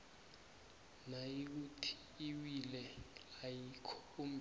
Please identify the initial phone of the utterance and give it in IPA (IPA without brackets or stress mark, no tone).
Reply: n